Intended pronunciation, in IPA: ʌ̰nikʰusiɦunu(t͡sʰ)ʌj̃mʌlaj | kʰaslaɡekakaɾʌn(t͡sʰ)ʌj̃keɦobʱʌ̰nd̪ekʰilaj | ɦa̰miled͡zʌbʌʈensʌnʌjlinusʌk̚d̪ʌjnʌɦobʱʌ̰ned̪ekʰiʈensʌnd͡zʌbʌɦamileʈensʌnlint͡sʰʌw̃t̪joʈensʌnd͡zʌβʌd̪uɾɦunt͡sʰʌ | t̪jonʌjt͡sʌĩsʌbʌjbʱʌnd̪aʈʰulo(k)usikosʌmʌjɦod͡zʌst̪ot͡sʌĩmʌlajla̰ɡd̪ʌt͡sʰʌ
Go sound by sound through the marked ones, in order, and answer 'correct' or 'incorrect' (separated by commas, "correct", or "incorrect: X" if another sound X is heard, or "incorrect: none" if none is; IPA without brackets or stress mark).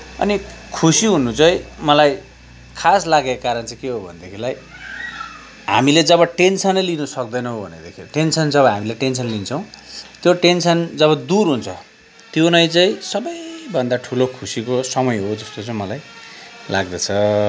incorrect: t͡s, incorrect: t͡s, incorrect: kʰ